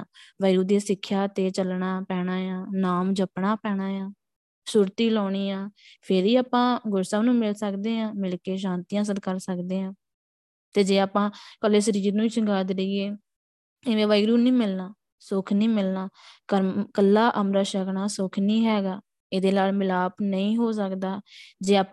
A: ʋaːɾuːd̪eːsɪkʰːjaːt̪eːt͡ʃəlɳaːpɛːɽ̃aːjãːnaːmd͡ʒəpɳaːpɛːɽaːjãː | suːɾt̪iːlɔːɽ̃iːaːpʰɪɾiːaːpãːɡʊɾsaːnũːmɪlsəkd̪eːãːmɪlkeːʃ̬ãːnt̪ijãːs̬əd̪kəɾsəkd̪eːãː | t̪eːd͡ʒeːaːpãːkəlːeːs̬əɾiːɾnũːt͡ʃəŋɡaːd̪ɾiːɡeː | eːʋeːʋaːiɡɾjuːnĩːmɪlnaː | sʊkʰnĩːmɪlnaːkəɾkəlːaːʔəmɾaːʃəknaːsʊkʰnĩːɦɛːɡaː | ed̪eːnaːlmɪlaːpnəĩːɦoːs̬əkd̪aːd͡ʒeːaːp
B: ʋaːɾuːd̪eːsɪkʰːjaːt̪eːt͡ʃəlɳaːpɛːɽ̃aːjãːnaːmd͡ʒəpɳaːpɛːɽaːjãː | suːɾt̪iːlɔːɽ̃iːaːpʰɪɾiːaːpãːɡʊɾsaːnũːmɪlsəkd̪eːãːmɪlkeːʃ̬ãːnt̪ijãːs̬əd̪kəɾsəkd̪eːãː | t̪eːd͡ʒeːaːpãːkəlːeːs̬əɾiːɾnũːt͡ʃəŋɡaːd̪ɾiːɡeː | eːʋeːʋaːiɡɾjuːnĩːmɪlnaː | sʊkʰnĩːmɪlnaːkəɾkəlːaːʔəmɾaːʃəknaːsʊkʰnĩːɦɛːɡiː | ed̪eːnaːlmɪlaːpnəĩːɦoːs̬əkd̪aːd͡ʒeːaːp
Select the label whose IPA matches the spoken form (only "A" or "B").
A